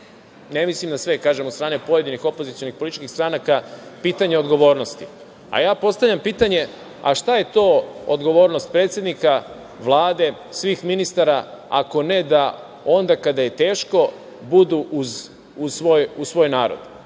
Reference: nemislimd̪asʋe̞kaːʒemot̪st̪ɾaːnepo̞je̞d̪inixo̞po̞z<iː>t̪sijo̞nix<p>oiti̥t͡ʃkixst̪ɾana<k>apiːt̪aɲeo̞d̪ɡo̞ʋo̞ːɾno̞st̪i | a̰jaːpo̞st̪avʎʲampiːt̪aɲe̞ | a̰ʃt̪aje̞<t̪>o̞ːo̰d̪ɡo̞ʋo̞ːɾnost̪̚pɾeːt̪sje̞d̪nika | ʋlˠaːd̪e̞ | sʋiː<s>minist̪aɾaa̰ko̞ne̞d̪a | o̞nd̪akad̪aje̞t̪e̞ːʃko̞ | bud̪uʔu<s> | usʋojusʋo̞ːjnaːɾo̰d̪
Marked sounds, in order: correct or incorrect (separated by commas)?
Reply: incorrect, correct, correct, correct, incorrect, incorrect